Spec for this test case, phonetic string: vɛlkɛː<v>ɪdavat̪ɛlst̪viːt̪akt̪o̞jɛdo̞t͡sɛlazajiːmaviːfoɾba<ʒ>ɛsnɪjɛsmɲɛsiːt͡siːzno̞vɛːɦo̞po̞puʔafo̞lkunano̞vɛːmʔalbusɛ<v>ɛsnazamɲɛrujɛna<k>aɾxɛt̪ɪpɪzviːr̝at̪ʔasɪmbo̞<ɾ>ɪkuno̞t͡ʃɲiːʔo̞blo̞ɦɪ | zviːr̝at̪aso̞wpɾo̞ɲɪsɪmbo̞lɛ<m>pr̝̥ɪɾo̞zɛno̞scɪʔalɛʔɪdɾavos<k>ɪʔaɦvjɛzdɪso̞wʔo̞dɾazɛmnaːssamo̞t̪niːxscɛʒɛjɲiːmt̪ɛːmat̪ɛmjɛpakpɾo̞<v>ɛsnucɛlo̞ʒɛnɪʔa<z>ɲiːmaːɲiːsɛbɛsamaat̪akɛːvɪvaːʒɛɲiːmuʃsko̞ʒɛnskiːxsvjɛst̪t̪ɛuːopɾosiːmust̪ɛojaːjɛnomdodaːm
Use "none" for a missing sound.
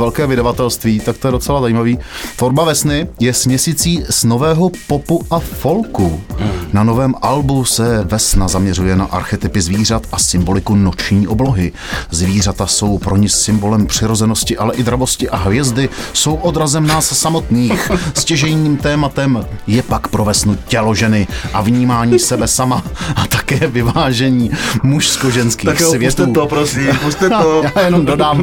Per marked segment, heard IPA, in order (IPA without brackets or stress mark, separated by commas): v, v, v, ʔ, l, m, c, v, v